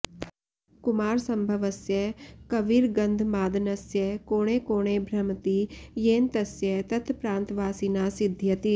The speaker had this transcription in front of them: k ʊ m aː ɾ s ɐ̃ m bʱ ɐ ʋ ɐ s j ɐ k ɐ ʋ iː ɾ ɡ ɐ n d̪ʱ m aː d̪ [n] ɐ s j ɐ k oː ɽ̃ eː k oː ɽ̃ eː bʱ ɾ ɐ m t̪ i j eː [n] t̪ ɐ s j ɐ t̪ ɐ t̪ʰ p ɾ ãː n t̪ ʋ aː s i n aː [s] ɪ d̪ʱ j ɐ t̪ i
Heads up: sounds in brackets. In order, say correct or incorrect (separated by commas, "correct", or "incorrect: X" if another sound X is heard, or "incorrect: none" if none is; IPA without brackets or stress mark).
correct, correct, correct